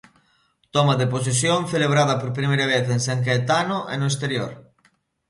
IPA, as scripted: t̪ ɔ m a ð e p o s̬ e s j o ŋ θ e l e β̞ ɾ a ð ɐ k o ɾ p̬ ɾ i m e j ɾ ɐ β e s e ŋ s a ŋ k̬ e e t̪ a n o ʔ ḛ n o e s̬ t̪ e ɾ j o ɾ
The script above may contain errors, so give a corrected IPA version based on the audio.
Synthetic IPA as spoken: t̪ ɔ m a ð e p o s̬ e s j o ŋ θ e l e β̞ ɾ a ð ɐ p o ɾ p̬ ɾ i m e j ɾ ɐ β e θ e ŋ s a ŋ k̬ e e t̪ a n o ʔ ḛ n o e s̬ t̪ e ɾ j o ɾ